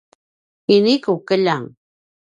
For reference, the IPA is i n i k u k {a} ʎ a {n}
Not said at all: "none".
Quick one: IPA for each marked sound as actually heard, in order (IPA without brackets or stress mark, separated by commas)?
ə, ŋ